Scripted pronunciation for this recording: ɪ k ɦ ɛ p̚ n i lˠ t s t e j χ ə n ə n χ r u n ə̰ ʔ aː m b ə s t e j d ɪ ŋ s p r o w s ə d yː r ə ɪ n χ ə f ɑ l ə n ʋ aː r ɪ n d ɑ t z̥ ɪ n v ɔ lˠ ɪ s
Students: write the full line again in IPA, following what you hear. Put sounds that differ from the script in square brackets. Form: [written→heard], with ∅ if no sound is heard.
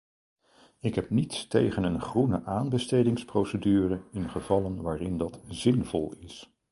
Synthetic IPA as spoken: ɪ k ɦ ɛ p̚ n i [lˠ→∅] t s t e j χ ə n ə n χ r u n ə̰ ʔ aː [m→n] b ə s t e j d ɪ ŋ s p r o w s ə d yː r ə ɪ n χ ə [f→v] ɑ l ə n ʋ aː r ɪ n d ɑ t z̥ ɪ n v ɔ lˠ ɪ s